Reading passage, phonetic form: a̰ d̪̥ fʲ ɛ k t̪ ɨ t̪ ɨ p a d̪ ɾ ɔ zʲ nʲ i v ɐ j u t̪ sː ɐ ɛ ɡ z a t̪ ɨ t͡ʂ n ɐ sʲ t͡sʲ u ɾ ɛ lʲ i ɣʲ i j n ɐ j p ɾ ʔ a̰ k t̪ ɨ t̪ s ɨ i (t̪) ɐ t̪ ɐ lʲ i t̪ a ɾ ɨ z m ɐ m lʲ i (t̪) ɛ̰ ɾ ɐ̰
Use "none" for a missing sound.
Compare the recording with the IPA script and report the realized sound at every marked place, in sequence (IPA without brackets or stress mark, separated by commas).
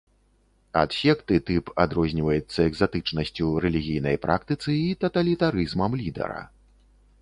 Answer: t̪, d̪